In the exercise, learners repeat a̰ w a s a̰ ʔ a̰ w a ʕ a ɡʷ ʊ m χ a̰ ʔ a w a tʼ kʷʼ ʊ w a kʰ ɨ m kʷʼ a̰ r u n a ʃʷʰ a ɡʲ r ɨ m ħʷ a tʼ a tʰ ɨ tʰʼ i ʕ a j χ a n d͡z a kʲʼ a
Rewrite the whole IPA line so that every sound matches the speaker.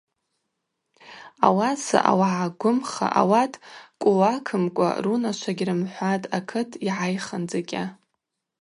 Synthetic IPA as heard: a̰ w a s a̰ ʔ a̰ w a ʕ a ɡʷ ʊ m χ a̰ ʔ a w a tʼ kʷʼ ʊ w a kʰ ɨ m kʷʼ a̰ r u n a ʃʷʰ a ɡʲ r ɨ m ħʷ a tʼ a kʰ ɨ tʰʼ i ʕ a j χ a n d͡z a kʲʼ a